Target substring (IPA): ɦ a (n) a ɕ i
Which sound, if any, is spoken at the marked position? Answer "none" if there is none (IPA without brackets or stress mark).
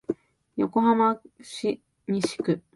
m